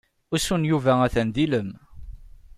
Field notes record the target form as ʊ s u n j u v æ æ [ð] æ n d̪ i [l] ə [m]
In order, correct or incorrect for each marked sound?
incorrect, correct, correct

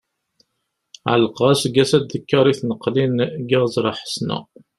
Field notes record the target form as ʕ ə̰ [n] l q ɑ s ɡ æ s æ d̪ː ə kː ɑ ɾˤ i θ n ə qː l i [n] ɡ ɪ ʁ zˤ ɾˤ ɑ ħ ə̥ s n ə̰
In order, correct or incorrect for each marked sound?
incorrect, correct

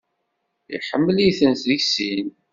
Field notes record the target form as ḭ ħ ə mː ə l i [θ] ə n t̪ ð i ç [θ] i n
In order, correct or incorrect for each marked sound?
correct, incorrect

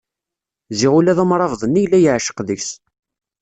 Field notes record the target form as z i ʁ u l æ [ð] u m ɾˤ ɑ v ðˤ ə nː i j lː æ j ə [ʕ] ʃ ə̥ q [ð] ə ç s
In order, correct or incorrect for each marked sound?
correct, correct, correct

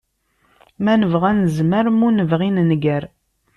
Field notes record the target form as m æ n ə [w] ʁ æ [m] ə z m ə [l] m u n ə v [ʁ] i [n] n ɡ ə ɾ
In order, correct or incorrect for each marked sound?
incorrect, incorrect, incorrect, correct, correct

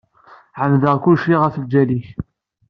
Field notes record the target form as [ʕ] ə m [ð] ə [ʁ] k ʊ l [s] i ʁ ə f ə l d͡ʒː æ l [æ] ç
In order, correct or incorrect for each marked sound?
correct, correct, correct, incorrect, incorrect

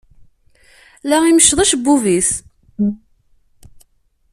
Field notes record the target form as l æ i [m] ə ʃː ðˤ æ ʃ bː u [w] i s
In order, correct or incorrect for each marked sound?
correct, incorrect

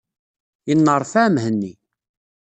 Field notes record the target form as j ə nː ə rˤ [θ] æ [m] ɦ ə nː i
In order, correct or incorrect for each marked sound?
incorrect, correct

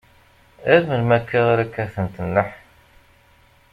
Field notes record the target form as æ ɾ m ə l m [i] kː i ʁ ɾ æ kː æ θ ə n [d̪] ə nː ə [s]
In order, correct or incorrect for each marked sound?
incorrect, incorrect, incorrect

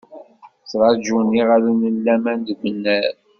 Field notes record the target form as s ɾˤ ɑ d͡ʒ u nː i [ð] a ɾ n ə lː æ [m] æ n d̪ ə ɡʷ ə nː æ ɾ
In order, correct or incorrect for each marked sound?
incorrect, correct

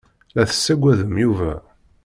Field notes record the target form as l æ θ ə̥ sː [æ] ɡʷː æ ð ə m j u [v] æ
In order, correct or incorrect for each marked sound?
correct, correct

